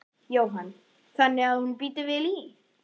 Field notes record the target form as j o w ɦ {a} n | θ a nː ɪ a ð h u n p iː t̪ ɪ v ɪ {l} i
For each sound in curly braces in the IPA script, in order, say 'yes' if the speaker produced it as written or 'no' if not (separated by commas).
yes, yes